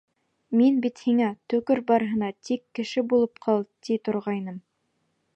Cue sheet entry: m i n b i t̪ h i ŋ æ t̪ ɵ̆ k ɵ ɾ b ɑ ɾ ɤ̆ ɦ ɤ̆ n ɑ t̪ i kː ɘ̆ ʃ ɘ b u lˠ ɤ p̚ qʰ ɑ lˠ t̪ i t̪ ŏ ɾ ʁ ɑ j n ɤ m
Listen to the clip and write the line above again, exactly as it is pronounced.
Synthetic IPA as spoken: m i n b i t̪ h i ŋ æ t̪ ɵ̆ k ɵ ɾ b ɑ ɾ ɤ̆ ɦ ɤ̆ n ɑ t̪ i kː ɘ̆ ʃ ɘ b u lˠ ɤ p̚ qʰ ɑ lˠ t̪ i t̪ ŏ ɾ ʁ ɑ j n ɤ m